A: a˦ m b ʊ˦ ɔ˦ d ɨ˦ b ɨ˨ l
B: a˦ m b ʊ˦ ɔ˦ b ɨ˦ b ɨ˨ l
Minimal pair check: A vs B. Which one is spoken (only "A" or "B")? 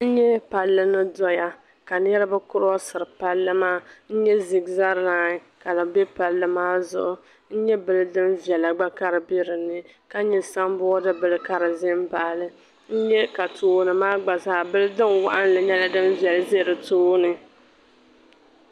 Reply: A